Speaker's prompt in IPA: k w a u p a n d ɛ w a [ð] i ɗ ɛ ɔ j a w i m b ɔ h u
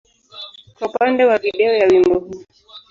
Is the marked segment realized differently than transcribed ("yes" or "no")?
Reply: yes